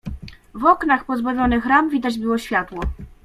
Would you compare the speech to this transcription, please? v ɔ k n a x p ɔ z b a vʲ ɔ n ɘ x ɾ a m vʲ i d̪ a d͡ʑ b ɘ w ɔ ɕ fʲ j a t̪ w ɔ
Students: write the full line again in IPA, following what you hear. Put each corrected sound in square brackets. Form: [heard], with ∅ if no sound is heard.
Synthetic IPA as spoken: v ɔ k n a x p ɔ z b a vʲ ɔ n ɘ x ɾ a m vʲ i d̪ a d͡ʑ b ɘ w ɔ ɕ fʲ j a t̪ w ɔ